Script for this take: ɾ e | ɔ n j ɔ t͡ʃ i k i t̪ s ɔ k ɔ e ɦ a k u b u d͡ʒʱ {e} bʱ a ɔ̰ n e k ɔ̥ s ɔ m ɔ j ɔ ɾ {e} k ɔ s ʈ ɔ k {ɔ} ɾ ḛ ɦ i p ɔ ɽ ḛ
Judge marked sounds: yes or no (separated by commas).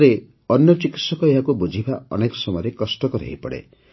no, yes, yes